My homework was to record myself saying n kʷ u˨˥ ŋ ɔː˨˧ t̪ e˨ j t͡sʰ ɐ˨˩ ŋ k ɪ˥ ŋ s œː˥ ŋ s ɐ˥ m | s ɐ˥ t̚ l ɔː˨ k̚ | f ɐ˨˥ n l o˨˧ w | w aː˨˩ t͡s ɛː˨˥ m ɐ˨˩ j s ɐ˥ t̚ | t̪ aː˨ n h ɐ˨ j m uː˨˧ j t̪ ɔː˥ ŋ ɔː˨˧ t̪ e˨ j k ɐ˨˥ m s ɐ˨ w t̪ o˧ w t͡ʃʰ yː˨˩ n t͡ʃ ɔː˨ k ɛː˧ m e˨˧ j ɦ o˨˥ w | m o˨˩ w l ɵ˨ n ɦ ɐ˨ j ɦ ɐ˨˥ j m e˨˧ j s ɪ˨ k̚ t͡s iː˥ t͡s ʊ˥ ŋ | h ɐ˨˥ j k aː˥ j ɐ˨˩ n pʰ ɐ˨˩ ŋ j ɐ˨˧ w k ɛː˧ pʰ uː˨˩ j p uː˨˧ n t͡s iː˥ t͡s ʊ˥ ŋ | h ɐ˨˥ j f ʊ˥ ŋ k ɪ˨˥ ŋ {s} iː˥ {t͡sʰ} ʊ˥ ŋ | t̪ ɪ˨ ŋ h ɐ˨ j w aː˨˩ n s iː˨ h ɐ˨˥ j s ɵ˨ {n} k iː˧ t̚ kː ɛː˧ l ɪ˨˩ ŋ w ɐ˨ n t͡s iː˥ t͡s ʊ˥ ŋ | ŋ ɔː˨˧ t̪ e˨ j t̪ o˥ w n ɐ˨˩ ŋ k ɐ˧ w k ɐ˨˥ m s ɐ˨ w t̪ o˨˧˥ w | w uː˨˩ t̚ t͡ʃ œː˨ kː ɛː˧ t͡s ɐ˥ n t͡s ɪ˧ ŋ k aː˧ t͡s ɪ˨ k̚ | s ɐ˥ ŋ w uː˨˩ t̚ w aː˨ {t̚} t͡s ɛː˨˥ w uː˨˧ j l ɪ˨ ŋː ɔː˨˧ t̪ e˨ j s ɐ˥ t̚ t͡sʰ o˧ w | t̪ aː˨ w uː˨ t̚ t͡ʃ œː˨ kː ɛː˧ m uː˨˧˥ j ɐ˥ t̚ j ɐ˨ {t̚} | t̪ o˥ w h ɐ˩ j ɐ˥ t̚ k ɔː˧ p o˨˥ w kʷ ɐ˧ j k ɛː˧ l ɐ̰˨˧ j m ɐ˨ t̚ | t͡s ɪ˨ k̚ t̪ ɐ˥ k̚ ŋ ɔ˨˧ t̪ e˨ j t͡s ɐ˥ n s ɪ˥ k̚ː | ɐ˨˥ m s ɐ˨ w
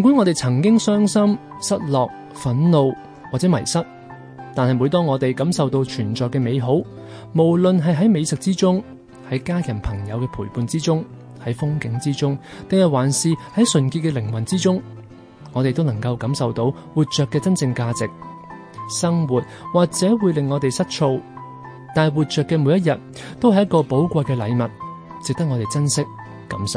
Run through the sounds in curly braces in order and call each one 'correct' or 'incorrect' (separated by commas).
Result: incorrect, incorrect, correct, incorrect, correct